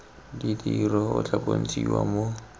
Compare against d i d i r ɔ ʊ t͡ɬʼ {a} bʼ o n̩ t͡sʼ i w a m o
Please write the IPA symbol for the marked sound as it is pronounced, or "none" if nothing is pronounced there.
a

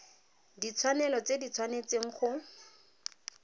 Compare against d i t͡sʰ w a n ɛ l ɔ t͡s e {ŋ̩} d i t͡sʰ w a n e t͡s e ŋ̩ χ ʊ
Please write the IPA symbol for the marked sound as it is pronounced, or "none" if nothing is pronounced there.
none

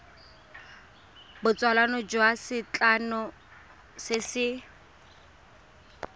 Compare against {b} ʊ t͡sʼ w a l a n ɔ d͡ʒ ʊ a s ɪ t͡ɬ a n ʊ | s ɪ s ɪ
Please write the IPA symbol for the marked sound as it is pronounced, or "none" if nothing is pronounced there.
b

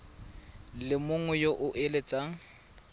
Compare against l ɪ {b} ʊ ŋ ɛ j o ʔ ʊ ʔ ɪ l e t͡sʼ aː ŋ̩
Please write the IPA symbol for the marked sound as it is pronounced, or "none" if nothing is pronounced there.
m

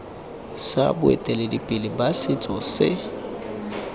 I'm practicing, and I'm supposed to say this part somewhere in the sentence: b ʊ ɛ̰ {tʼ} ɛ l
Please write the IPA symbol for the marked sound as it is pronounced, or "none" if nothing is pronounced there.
tʼ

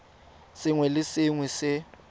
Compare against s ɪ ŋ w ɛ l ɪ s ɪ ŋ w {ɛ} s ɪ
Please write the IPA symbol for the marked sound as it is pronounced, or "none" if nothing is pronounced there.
ɛ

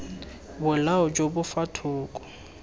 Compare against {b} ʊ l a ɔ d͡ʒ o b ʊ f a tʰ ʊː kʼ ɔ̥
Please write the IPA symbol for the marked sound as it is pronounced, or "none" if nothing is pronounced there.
b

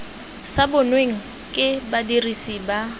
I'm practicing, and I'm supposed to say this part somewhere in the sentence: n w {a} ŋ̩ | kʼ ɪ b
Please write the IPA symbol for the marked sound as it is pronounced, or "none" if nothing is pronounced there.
e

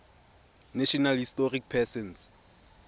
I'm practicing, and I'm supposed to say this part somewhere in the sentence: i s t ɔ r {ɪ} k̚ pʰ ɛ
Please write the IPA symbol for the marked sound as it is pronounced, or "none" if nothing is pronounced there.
i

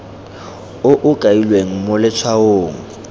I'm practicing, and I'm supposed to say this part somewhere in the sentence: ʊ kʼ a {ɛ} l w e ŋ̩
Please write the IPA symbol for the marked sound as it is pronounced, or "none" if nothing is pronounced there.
i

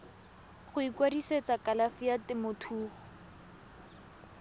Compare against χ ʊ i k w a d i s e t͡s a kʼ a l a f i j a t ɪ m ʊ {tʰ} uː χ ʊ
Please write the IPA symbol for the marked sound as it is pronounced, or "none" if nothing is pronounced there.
tʰ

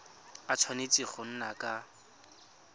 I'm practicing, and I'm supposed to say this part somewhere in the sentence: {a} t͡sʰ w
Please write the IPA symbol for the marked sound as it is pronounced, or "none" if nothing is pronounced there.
a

